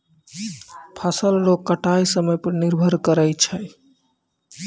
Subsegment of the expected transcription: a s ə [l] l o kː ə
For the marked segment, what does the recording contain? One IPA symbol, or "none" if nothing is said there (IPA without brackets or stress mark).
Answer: l